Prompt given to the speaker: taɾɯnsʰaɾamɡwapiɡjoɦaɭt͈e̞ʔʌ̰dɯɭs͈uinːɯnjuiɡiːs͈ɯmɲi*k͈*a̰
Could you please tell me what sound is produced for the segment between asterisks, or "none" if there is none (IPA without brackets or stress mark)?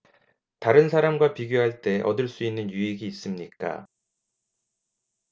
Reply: k͈